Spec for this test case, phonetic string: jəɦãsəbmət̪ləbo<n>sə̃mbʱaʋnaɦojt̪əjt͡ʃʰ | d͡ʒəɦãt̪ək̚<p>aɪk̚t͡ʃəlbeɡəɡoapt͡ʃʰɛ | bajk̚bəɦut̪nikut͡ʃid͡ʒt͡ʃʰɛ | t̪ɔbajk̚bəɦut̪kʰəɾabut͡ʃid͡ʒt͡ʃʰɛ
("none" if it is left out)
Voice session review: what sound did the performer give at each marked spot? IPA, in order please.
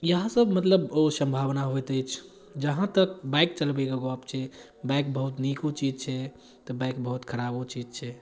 none, b

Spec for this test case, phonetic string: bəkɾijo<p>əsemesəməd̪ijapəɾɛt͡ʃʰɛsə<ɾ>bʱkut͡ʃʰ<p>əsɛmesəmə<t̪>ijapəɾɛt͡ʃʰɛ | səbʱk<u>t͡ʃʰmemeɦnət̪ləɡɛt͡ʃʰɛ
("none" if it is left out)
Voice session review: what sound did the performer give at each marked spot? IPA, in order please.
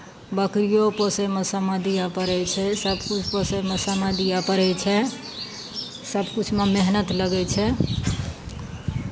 p, none, p, d̪, u

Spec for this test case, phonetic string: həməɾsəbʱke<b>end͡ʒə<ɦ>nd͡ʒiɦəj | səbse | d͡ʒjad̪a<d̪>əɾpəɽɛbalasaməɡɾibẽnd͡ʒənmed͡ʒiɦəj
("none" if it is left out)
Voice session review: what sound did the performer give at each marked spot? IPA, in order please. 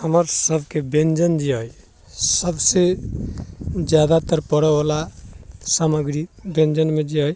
b, none, t̪

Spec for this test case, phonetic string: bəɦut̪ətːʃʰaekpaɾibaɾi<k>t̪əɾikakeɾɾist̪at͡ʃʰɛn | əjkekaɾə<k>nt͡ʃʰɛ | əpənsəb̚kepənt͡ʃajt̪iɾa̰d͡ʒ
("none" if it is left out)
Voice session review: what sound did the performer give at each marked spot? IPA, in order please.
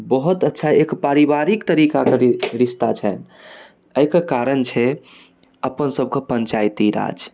k, none

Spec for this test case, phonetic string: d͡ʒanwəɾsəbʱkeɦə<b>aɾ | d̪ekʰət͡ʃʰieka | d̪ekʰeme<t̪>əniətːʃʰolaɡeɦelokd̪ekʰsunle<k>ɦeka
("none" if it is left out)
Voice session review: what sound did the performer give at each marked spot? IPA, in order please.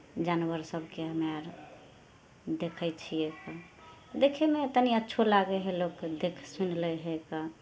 m, t̪, none

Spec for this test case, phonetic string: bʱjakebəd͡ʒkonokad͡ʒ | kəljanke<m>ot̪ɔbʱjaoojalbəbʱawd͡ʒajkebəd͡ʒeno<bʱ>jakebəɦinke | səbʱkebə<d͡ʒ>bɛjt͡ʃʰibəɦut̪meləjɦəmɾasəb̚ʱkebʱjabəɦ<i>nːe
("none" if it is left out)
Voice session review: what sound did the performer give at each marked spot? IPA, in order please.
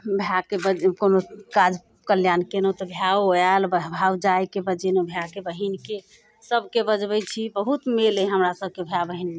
n, bʱ, d͡ʒ, i

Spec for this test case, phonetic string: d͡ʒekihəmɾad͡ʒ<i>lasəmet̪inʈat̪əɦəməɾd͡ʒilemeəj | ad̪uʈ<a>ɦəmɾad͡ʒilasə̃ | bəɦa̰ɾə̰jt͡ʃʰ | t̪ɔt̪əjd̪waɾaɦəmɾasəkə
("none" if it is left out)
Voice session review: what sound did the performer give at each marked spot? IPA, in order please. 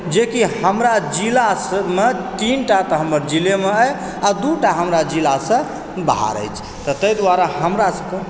i, a

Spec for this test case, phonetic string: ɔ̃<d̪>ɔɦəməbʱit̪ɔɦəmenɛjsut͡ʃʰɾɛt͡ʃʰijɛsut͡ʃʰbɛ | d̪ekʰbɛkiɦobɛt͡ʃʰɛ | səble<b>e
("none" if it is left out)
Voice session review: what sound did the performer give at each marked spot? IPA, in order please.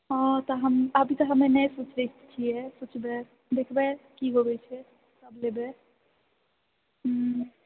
t̪, b

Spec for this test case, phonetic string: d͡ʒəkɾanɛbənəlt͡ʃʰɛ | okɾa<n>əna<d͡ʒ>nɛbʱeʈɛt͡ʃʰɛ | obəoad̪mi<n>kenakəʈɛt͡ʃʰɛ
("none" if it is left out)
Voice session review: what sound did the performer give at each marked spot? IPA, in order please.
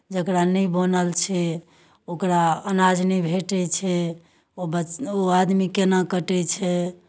none, d͡ʒ, none

